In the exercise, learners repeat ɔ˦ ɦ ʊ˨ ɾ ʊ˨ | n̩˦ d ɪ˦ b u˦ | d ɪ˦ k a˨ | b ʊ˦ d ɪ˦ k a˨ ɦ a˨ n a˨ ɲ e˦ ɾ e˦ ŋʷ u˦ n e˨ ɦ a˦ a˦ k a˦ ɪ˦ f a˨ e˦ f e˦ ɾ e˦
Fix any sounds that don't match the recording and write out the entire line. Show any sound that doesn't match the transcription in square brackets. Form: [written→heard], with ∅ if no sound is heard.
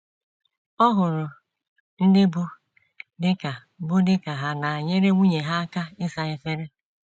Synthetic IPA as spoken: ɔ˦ ɦ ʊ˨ ɾ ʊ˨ | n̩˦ d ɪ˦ b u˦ | d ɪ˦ k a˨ | b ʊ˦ d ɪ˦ k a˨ ɦ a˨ n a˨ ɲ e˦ ɾ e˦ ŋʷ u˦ [n→ɲ] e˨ ɦ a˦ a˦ k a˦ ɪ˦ [f→s] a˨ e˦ f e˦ ɾ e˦

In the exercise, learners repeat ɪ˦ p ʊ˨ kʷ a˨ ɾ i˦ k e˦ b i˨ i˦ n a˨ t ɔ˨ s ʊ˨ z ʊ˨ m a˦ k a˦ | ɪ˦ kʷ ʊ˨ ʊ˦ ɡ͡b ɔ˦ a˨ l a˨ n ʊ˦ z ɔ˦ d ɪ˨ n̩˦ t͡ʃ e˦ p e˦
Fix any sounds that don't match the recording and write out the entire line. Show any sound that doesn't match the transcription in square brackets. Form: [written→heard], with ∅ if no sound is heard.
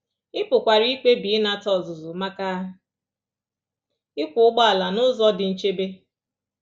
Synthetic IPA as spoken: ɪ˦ p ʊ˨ kʷ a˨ ɾ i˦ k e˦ b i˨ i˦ n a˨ t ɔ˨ [s→z] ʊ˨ z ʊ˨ m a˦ k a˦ | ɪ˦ kʷ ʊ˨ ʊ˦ ɡ͡b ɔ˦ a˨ l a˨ n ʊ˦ z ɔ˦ d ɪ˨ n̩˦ t͡ʃ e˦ [p→b] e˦

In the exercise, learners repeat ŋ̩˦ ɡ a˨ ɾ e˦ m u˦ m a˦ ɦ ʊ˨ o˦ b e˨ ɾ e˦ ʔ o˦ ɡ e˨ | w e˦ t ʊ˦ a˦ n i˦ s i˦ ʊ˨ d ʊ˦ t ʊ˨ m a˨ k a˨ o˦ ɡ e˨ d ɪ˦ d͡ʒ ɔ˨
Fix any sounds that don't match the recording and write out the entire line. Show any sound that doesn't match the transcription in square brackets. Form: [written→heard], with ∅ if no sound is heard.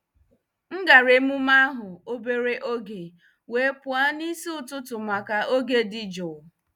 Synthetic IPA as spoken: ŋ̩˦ ɡ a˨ ɾ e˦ m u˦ m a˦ ɦ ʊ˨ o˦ b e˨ ɾ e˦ ʔ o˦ ɡ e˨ | w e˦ [t→p] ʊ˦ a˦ n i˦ s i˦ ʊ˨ [d→t] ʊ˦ t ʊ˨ m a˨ k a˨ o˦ ɡ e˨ d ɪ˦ d͡ʒ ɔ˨

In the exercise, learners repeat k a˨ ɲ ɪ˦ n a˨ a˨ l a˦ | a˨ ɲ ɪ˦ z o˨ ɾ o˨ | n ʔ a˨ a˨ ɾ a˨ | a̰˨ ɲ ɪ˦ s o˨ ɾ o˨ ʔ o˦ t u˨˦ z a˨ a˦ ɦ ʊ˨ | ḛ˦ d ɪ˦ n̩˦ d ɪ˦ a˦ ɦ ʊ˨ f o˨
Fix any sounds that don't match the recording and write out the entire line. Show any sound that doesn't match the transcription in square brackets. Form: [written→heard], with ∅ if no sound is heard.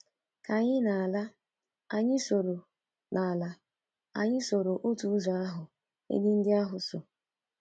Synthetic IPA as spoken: k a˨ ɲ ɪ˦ n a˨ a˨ l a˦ | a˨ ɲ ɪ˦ [z→s] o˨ ɾ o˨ | n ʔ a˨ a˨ [ɾ→l] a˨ | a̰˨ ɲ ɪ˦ s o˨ ɾ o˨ ʔ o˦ t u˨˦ z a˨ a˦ ɦ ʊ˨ | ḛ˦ d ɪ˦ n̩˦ d ɪ˦ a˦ ɦ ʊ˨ [f→s] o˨

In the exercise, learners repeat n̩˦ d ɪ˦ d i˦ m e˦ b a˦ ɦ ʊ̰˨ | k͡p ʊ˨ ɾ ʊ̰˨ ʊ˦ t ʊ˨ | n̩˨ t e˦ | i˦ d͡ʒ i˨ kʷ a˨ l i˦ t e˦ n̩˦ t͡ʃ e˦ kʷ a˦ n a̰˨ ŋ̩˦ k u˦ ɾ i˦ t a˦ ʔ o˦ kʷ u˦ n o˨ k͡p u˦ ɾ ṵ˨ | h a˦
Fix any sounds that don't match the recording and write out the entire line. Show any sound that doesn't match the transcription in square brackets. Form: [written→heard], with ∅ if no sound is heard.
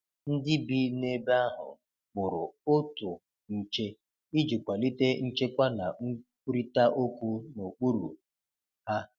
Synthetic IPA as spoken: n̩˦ d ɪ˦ [d→b] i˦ [m→n] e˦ b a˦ ɦ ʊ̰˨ | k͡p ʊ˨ ɾ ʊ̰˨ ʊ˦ t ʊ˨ | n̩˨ [t→t͡ʃ] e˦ | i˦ d͡ʒ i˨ kʷ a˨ l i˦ t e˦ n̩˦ t͡ʃ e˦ kʷ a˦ n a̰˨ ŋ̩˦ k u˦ ɾ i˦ t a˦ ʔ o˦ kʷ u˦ n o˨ k͡p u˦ ɾ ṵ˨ | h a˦

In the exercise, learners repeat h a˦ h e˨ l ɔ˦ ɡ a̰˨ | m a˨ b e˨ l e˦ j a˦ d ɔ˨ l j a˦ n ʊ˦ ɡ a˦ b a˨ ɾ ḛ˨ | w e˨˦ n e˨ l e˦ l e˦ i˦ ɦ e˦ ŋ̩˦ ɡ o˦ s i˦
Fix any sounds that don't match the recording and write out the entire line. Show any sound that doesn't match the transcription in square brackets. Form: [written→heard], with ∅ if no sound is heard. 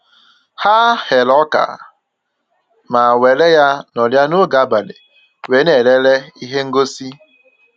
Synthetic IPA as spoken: h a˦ h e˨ l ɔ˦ [ɡ→k] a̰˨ | m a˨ [b→w] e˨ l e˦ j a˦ [d→n] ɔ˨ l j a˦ n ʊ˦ ɡ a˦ b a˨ [ɾ→l] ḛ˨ | w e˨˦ n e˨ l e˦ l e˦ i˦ ɦ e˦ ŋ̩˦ ɡ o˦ s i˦

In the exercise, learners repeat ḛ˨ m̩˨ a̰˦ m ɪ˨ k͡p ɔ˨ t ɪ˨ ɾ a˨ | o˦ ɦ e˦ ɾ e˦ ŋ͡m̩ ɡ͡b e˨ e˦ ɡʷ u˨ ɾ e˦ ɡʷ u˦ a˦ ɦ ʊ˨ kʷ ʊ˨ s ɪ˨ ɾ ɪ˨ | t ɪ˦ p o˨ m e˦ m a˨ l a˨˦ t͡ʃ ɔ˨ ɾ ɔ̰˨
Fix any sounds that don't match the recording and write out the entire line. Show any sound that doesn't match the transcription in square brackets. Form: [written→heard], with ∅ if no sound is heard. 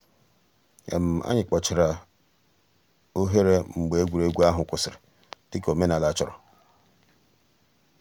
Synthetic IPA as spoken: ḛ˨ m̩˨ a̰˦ [m→ɲ] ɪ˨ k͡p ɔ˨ [t→t͡ʃ] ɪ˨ ɾ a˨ | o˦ ɦ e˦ ɾ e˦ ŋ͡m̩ ɡ͡b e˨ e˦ ɡʷ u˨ ɾ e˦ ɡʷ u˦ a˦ ɦ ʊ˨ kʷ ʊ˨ s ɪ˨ ɾ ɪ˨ | t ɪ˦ [p→k] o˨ m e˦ [m→n] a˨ l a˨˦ t͡ʃ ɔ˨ ɾ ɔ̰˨

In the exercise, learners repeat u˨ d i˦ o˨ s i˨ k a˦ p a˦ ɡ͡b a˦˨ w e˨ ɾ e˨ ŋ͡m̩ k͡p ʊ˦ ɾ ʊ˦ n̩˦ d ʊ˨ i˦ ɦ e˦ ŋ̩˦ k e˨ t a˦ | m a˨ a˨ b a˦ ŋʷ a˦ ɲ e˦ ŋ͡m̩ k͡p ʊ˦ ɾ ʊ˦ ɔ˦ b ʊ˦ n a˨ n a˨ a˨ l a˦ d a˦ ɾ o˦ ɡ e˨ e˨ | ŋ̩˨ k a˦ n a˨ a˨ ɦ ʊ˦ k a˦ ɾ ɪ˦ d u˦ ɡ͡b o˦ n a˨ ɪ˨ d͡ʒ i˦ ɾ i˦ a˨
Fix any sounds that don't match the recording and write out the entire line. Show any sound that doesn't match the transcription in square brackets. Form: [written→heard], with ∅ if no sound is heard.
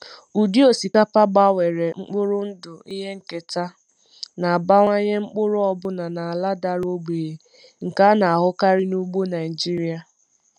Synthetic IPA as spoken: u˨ d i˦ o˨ s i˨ k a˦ p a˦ ɡ͡b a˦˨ w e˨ ɾ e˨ ŋ͡m̩ k͡p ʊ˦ ɾ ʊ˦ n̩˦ d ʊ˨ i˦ ɦ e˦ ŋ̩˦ k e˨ t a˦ | [m→n] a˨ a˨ b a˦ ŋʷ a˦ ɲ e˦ ŋ͡m̩ k͡p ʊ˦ ɾ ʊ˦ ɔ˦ b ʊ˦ n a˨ n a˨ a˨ l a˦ d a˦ ɾ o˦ [ɡ→ɡ͡b] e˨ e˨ | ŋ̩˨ k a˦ n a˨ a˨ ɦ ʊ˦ k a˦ ɾ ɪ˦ [d→n] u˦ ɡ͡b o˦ n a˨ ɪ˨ d͡ʒ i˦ ɾ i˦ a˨

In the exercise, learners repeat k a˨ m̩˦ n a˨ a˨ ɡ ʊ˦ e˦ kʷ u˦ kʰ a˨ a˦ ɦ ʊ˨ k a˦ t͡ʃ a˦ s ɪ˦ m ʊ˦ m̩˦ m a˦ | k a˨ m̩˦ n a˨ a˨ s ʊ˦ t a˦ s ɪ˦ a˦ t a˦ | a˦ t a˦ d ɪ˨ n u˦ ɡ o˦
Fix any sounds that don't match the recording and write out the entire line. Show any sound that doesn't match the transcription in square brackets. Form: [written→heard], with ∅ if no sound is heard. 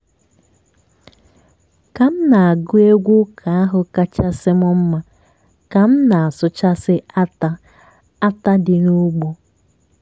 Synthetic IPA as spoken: k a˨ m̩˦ n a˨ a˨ ɡ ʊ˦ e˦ [kʷ→ɡʷ] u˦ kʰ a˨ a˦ ɦ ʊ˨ k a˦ t͡ʃ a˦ s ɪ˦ m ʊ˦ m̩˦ m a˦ | k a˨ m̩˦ n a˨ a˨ s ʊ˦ [t→t͡ʃ] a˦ s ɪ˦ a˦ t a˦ | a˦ t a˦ d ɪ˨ n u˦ [ɡ→ɡ͡b] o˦

